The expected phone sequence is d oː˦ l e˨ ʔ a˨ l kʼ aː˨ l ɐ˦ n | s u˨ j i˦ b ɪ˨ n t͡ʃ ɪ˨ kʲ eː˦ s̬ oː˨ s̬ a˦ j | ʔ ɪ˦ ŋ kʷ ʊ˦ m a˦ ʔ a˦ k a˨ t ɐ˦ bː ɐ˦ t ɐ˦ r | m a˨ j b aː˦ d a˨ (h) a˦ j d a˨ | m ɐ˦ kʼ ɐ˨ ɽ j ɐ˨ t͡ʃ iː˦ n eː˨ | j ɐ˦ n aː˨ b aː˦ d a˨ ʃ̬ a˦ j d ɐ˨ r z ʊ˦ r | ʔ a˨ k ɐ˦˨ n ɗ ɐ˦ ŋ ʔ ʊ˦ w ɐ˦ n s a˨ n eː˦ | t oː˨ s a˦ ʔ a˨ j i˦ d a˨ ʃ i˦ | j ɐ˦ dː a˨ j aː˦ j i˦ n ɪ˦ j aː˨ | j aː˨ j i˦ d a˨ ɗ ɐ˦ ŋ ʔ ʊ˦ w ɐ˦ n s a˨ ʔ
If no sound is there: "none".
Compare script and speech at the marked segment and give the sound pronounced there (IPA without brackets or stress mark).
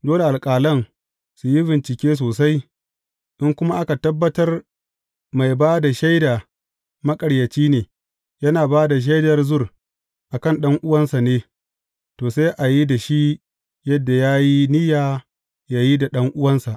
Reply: ʃ